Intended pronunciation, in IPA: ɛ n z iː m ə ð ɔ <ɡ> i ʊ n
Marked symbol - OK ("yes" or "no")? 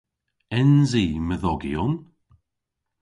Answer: yes